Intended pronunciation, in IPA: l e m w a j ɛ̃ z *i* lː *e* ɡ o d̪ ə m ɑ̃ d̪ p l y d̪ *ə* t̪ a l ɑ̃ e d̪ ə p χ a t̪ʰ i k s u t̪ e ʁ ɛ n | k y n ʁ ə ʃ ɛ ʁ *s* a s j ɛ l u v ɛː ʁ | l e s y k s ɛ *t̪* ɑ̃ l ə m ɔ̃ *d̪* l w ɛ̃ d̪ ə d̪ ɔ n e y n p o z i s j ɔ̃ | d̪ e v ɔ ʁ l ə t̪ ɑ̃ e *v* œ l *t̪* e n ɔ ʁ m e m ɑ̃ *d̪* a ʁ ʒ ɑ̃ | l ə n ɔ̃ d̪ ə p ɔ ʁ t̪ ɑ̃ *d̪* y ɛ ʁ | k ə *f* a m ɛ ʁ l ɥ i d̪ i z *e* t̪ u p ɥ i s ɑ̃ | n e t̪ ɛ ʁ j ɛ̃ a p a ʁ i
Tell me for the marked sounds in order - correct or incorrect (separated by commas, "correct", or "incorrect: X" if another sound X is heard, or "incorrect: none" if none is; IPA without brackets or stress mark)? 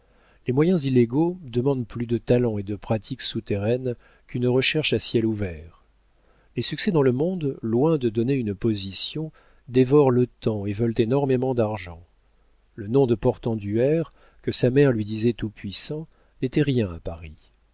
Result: correct, correct, correct, incorrect: ʃ, incorrect: d̪, correct, correct, correct, correct, correct, incorrect: s, incorrect: ɛ